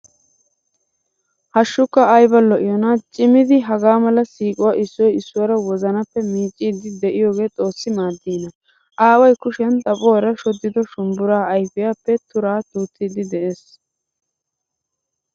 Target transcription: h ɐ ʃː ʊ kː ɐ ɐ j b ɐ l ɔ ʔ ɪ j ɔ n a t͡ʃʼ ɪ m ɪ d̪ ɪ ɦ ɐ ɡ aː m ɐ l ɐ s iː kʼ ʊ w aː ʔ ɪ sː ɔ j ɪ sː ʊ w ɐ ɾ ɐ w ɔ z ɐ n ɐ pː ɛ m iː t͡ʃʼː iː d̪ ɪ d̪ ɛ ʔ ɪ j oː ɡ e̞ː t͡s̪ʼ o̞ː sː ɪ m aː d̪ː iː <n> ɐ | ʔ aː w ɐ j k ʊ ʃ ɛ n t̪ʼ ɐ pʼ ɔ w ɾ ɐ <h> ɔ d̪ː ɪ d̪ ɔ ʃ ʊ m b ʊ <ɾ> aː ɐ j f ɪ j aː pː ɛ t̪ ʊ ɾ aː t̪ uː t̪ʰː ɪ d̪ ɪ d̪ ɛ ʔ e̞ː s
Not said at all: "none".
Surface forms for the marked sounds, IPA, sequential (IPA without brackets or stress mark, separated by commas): n, ʃ, ɾ